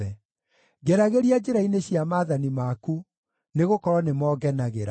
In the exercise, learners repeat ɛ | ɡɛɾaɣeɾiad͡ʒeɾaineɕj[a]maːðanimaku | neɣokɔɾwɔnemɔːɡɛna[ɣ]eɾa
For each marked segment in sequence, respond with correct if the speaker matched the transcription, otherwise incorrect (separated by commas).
correct, correct